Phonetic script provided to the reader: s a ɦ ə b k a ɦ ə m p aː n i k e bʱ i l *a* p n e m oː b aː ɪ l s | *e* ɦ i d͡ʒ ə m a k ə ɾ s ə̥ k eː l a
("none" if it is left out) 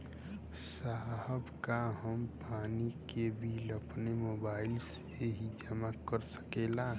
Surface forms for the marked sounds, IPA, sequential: ə, e

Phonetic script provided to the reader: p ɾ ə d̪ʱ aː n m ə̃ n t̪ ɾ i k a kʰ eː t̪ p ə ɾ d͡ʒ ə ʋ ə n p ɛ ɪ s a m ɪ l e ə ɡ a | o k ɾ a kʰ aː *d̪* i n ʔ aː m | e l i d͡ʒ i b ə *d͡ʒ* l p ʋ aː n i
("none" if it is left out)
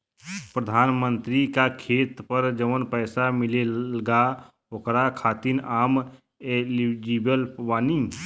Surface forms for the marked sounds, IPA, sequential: t̪, none

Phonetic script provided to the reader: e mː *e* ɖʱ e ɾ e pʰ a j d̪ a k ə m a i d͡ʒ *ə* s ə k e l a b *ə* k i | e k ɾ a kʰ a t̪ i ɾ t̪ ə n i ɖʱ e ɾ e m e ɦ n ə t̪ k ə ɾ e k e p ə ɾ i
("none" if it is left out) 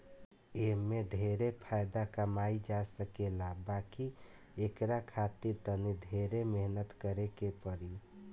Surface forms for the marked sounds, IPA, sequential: e, a, a

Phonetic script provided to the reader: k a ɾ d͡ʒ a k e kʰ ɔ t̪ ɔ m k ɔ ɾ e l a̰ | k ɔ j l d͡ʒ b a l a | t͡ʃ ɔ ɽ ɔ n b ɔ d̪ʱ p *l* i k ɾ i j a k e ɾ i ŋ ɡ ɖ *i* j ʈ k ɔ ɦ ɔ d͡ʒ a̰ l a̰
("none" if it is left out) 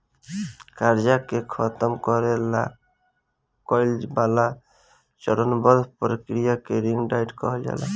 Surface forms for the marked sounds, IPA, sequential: ɾ, a

